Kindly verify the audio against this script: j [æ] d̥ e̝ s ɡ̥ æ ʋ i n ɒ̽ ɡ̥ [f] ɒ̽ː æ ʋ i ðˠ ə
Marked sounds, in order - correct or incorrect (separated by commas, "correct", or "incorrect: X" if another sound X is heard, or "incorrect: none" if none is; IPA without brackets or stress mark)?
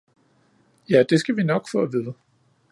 correct, correct